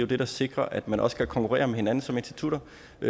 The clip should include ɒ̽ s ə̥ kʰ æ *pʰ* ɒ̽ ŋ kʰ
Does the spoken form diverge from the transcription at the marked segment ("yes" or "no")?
yes